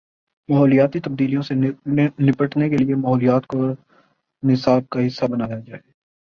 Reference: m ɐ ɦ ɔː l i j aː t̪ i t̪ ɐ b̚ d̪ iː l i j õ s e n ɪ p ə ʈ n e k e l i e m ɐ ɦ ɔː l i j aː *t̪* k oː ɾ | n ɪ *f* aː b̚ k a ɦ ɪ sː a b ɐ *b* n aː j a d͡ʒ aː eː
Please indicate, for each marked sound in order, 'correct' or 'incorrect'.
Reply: correct, incorrect: s, incorrect: none

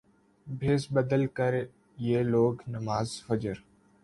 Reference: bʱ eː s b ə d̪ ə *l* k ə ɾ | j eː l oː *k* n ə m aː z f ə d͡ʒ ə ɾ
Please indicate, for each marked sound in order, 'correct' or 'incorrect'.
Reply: correct, incorrect: ɡ

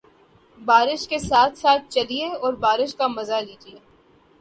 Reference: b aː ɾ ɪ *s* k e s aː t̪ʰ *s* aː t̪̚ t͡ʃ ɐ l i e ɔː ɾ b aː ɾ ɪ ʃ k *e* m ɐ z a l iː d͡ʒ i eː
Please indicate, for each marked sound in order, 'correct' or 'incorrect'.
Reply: incorrect: ʃ, correct, incorrect: a

